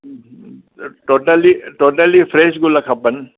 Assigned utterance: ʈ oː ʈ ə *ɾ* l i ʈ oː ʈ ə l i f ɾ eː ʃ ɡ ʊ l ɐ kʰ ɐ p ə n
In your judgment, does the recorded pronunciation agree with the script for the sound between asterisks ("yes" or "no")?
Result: no